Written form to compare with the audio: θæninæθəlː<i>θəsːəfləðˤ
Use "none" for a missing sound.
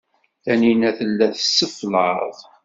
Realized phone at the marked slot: æ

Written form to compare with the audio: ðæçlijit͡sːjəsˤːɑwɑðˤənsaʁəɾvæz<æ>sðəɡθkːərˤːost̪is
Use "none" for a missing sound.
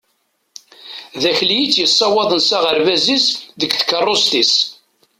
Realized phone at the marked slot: i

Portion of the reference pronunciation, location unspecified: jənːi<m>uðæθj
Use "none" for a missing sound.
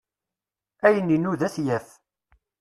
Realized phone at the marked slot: n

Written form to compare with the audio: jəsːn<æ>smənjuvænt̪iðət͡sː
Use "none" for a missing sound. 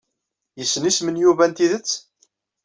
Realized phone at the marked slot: i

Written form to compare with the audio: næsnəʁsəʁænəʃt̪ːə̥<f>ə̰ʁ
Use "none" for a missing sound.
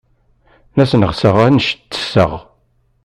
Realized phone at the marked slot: s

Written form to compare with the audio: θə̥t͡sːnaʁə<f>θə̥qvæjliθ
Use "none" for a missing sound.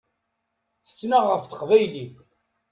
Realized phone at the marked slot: f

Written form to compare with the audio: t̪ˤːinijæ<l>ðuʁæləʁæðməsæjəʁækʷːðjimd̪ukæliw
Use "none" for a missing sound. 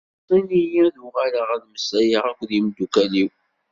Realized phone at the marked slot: none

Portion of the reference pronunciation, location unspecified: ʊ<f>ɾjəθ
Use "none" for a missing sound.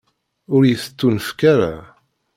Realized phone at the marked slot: none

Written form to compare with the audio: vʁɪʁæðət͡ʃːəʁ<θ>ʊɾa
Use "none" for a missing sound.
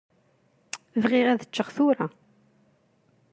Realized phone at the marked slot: θ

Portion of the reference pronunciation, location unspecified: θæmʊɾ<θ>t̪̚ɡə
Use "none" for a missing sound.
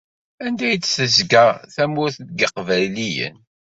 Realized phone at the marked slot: θ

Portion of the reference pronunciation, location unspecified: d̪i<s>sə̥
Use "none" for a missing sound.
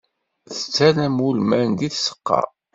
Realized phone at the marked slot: θ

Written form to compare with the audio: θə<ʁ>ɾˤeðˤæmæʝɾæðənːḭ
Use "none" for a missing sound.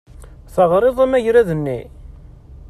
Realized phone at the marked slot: ʁ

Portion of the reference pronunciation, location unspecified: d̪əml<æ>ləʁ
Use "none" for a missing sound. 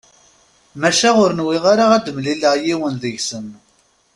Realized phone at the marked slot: i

